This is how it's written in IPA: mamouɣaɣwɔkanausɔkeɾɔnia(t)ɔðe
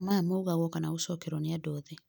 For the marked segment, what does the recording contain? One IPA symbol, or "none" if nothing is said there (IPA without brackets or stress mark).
d